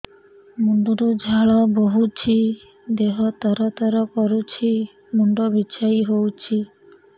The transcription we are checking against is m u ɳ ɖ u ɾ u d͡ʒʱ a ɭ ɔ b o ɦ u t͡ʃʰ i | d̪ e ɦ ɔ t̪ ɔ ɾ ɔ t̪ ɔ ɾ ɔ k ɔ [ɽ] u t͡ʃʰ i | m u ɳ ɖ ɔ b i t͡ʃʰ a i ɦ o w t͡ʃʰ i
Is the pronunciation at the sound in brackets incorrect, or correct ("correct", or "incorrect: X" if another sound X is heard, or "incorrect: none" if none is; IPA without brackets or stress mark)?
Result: incorrect: ɾ